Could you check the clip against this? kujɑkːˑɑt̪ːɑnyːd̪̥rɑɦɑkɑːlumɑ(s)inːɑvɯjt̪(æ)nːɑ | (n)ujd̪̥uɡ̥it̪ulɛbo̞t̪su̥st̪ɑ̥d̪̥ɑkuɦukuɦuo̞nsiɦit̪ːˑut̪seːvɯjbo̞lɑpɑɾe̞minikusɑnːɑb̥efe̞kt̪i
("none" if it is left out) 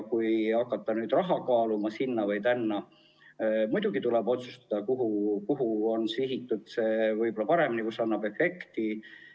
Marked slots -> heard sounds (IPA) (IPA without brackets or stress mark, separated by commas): s, æ, m